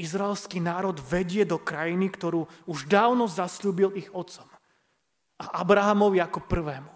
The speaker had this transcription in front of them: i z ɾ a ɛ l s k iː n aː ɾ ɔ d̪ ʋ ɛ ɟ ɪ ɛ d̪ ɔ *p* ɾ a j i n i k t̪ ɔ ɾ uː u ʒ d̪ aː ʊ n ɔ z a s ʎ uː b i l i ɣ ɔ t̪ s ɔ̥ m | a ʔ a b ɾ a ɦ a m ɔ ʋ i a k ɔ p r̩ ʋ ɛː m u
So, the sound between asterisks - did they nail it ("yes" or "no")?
no